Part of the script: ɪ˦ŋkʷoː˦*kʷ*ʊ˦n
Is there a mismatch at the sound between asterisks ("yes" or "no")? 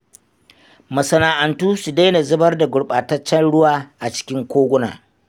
yes